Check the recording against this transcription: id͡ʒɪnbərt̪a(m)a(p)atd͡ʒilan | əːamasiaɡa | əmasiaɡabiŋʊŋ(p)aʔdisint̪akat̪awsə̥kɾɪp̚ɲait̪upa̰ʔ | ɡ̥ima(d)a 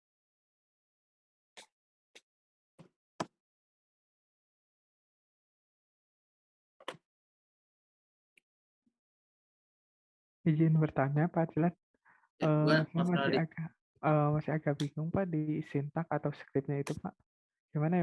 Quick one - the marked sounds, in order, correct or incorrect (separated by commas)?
incorrect, correct, correct, incorrect